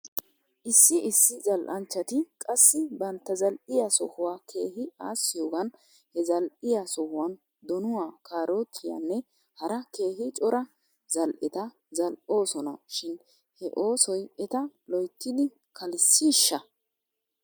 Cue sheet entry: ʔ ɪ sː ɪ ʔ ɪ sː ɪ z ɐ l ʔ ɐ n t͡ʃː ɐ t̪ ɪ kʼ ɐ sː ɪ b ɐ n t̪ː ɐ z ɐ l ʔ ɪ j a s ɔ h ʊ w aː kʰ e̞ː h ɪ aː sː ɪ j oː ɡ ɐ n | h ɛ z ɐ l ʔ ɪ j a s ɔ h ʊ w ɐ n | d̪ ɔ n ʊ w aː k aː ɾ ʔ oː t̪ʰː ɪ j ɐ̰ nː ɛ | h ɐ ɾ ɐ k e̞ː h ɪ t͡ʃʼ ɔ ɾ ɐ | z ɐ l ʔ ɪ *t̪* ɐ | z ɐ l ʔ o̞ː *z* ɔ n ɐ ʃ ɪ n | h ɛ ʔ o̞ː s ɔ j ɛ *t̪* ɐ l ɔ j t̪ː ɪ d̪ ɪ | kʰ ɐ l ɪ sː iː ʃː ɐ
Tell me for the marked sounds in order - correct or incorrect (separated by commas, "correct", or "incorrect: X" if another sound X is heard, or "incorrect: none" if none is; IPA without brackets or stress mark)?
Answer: correct, incorrect: s, correct